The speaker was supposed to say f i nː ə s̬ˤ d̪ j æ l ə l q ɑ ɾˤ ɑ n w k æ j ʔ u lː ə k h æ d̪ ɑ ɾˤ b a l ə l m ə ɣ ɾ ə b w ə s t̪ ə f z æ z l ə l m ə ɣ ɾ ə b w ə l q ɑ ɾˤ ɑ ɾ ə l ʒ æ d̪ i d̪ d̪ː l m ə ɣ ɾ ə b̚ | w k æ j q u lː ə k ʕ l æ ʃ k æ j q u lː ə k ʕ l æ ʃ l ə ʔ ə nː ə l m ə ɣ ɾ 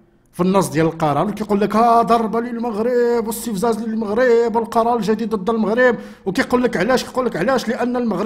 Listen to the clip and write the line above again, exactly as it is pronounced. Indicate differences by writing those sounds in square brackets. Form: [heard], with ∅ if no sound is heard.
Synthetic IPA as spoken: f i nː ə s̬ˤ d̪ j æ l ə l q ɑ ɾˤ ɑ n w k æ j [q] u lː ə k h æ d̪ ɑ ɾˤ b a l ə l m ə ɣ ɾ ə b w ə s t̪ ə f z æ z l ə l m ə ɣ ɾ ə b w ə l q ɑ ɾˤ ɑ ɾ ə l ʒ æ d̪ i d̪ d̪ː l m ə ɣ ɾ ə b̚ | w k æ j q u lː ə k ʕ l æ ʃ k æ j q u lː ə k ʕ l æ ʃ l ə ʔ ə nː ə l m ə ɣ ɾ